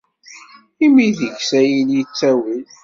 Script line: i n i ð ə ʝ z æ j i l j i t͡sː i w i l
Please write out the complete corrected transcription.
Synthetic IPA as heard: i m i ð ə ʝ s æ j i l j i t͡sː æ w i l